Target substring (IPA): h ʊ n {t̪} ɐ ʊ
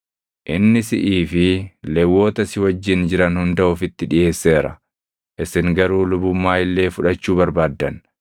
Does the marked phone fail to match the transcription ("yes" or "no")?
yes